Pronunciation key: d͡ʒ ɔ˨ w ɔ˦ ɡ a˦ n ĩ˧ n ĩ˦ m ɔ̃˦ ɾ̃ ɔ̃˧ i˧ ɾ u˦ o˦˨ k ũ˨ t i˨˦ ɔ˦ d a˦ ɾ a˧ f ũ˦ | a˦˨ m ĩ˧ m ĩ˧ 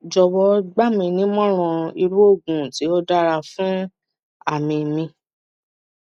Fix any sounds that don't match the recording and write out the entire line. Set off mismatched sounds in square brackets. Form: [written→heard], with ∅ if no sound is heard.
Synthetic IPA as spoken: d͡ʒ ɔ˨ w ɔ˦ [ɡ→ɡ͡b] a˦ [n→m] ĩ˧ n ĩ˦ m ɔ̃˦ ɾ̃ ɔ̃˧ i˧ ɾ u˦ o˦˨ [k→ɡ] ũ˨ t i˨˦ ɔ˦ d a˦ ɾ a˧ f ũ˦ | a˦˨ m ĩ˧ m ĩ˧